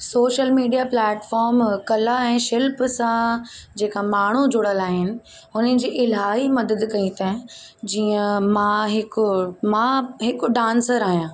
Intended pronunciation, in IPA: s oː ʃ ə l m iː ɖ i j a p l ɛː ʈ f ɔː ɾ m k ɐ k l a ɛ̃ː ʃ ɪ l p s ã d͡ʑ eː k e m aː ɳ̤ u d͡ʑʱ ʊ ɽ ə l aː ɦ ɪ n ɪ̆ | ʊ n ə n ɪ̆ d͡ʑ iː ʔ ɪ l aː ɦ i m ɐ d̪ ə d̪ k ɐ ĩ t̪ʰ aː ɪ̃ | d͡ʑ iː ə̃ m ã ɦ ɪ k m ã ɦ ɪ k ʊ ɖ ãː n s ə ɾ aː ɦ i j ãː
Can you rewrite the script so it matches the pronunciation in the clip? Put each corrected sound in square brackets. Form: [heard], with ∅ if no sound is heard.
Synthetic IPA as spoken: s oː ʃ ə l m iː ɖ i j a p l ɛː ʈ f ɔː ɾ m k ɐ [∅] l a ɛ̃ː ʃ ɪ l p s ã d͡ʑ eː k [a] m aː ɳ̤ u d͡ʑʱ ʊ ɽ ə l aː ɦ ɪ n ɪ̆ | ʊ n ə n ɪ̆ d͡ʑ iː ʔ ɪ l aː ɦ i m ɐ d̪ ə d̪ k ɐ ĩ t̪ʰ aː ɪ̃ | d͡ʑ iː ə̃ m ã ɦ ɪ k m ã ɦ ɪ k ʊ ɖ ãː n s ə ɾ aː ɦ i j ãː